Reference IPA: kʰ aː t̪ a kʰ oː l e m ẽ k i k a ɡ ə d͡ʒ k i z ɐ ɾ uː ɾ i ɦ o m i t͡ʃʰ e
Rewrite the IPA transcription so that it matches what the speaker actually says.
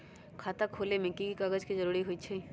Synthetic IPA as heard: kʰ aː t̪ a kʰ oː l e m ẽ k i k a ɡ ə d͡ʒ k i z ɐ ɾ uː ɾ i ɦ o i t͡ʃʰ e